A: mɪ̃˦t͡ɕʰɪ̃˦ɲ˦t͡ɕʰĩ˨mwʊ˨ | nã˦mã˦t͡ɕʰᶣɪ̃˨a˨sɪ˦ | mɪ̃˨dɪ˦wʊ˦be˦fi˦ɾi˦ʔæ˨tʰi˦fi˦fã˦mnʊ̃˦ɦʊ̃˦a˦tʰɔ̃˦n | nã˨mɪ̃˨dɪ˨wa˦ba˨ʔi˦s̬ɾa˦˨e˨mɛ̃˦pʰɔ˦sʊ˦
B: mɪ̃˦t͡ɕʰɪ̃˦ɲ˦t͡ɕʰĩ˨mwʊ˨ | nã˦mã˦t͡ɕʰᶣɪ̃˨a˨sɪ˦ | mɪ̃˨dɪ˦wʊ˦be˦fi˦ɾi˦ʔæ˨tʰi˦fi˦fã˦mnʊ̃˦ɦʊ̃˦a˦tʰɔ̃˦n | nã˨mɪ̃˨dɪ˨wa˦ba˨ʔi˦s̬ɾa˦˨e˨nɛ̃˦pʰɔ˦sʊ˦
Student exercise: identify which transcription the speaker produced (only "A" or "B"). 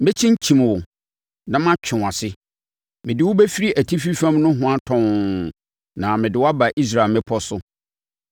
A